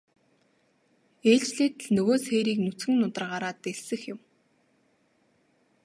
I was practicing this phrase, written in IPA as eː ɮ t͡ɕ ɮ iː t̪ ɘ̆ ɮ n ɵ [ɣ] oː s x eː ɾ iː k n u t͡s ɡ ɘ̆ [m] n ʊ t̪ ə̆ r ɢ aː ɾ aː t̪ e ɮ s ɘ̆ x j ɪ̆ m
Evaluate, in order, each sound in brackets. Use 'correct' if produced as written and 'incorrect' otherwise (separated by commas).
correct, incorrect